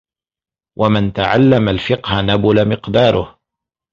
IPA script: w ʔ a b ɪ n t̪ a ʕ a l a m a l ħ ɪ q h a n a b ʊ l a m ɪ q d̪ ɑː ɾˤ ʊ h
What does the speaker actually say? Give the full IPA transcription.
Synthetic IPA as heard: w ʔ a m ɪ n t̪ a ʕ a lː a m a l f ɪ q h a n a b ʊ l a m ɪ q d̪ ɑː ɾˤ ʊ h